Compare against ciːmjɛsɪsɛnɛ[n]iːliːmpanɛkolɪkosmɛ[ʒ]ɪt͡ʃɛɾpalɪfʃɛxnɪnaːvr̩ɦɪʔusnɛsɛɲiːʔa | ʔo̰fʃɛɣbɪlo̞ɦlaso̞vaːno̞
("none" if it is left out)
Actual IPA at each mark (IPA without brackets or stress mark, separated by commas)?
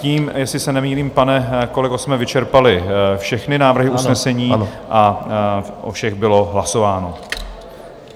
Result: m, v